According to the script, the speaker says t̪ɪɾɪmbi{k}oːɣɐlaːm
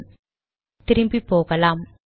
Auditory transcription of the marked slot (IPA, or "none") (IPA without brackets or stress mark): p